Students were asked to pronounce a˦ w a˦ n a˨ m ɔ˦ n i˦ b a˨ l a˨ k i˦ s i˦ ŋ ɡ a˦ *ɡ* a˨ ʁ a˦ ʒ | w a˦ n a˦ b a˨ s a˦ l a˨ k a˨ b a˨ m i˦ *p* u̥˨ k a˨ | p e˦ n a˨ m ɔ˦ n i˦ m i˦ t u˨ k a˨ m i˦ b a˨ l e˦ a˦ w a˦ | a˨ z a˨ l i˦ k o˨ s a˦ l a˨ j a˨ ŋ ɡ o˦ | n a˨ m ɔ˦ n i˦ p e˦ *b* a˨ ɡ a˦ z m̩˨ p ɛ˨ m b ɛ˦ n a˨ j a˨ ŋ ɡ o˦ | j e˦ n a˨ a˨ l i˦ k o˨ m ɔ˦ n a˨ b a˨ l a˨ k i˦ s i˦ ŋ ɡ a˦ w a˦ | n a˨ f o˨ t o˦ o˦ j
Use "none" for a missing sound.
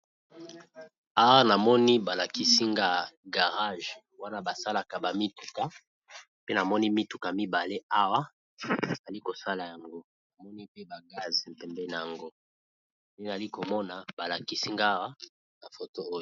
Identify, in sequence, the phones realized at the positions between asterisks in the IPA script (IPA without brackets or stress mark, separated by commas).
ɡ, t, b